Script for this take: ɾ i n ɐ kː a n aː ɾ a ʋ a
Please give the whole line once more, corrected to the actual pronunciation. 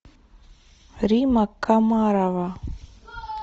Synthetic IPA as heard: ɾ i m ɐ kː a m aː ɾ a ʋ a